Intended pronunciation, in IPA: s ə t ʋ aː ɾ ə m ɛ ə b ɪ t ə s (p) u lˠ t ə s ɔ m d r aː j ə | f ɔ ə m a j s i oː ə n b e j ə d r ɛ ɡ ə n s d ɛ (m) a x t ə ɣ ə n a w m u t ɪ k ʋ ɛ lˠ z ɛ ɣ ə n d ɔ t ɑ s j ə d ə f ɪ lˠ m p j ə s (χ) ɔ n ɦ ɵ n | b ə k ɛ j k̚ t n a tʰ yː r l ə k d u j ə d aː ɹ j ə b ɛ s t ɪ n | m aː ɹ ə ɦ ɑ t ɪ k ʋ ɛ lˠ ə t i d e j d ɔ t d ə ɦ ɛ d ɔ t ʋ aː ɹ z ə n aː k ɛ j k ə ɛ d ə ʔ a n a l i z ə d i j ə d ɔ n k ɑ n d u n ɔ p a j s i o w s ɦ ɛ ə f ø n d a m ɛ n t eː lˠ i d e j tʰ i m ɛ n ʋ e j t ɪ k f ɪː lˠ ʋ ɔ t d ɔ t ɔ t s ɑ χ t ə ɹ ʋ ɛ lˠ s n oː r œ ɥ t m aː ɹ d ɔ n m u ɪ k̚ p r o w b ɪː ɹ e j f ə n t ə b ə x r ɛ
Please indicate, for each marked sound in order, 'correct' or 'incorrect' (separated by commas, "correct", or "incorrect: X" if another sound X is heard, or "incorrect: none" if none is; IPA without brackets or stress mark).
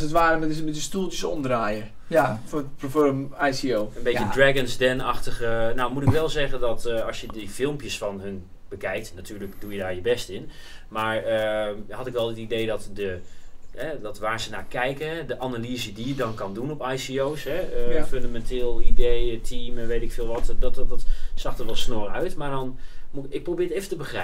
incorrect: t, incorrect: n, incorrect: f